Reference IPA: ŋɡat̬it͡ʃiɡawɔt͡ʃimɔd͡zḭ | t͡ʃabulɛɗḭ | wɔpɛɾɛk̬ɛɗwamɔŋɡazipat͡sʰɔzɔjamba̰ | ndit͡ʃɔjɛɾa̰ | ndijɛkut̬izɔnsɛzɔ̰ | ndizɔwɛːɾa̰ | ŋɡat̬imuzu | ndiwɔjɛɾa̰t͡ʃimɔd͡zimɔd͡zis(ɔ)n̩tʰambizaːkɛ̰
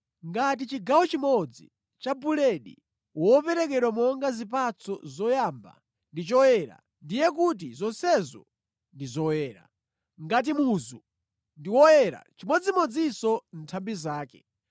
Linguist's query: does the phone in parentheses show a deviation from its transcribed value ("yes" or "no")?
no